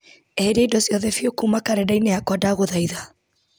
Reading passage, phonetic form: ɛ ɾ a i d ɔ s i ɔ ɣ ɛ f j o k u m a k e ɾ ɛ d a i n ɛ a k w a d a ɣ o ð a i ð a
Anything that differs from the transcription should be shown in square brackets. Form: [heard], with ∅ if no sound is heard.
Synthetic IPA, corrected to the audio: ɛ ɾ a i d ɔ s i ɔ [ð] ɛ f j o k u m a k [a] ɾ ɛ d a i n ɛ a k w a d a ɣ o ð a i ð a